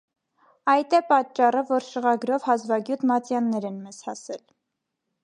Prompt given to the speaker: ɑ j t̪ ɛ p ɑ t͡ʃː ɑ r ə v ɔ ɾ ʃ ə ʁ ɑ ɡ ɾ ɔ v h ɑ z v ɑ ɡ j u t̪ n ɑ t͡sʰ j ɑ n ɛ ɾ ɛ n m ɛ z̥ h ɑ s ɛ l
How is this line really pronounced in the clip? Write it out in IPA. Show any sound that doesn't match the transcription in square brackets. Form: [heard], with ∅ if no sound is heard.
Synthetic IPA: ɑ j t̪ ɛ p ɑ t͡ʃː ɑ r ə v ɔ ɾ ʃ ə ʁ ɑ ɡ ɾ ɔ v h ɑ z v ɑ ɡ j u t̪ [m] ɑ [t͡s] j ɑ [nː] ɛ ɾ ɛ n m ɛ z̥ h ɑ s ɛ l